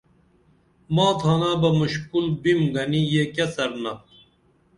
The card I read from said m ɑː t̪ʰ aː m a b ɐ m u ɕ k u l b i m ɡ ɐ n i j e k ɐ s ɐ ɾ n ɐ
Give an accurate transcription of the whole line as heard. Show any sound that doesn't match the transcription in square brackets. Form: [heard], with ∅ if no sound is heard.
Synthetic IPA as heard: m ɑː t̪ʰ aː [n] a b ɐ m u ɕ k u l b i m ɡ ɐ n i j e k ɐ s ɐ ɾ n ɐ